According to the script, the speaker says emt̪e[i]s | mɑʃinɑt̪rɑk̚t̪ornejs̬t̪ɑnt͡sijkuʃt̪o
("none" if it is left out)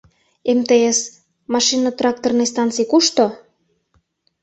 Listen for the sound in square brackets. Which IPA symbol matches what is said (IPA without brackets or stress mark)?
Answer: e